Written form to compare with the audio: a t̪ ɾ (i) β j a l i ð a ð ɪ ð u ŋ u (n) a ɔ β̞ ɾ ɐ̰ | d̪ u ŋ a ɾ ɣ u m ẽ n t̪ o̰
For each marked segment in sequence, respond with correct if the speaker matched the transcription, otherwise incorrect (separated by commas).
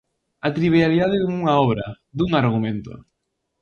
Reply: correct, incorrect